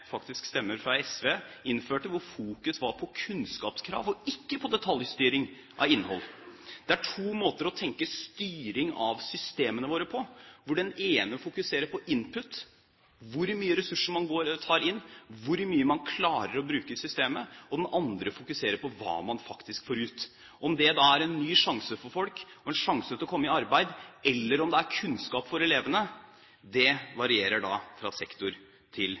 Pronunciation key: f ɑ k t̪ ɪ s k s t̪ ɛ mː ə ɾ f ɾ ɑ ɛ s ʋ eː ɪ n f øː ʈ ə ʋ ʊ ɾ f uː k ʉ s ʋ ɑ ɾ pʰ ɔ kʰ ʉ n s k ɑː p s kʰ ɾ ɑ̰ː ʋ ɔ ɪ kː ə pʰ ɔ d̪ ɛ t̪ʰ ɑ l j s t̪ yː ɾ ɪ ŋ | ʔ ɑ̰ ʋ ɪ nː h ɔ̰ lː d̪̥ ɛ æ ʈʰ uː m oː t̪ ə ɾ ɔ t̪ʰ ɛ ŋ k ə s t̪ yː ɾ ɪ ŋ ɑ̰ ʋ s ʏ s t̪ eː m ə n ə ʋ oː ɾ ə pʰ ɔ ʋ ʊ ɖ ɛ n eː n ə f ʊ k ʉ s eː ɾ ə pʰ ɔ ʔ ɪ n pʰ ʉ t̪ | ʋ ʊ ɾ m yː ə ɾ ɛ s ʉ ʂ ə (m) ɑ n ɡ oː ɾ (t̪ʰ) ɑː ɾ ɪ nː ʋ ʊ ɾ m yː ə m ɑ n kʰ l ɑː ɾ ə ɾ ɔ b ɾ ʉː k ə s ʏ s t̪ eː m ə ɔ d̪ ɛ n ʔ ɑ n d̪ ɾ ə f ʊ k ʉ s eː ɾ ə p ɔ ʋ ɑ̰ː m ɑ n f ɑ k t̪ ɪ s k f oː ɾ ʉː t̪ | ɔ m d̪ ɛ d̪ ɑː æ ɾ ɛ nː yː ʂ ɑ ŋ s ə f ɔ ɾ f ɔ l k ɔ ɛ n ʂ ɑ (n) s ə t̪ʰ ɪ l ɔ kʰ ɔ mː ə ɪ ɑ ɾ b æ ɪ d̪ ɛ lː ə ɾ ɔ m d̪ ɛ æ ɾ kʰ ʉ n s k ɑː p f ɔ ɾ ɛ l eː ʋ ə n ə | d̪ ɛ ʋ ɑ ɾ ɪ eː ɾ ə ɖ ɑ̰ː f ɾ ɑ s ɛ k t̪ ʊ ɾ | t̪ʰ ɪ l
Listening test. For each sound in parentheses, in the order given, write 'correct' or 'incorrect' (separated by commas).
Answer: correct, correct, incorrect